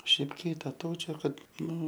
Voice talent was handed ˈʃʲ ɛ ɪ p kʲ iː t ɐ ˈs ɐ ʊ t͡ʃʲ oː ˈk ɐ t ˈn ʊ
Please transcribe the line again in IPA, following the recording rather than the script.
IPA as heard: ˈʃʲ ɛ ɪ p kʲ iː t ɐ ˈt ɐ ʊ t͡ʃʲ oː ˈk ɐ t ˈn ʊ